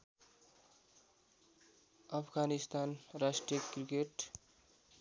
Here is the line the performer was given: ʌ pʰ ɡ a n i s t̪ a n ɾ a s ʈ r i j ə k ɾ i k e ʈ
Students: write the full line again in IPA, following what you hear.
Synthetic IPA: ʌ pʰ ɡ a n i s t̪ a n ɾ a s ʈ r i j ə k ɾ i k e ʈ